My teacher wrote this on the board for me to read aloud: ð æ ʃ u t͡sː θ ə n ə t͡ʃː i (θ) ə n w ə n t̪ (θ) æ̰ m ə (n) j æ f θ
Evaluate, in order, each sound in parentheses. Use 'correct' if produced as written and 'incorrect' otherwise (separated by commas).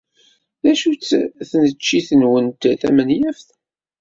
correct, correct, correct